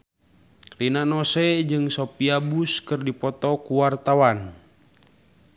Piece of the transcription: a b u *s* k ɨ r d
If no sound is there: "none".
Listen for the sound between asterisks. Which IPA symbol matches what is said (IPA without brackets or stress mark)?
s